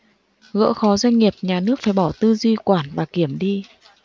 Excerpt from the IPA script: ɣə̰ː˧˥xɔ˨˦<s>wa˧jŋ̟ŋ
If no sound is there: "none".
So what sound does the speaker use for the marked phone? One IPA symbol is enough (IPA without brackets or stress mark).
z